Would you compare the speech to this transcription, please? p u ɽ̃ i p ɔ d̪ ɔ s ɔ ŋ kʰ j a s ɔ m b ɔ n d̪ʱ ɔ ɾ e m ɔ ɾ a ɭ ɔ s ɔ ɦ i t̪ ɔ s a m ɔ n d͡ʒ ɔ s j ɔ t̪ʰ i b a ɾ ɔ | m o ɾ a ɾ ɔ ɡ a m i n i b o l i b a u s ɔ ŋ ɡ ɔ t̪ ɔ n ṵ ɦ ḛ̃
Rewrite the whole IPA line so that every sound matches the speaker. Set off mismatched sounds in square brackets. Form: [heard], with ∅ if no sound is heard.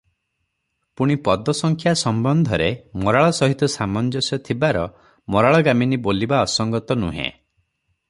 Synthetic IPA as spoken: p u ɽ̃ i p ɔ d̪ ɔ s ɔ ŋ kʰ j a s ɔ m b ɔ n d̪ʱ ɔ ɾ e m ɔ ɾ a ɭ ɔ s ɔ ɦ i t̪ ɔ s a m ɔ n d͡ʒ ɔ s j ɔ t̪ʰ i b a ɾ ɔ | m [ɔ] ɾ a [ɭ] ɔ ɡ a m i n i b o l i b a [ɔ] s ɔ ŋ ɡ ɔ t̪ ɔ n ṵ ɦ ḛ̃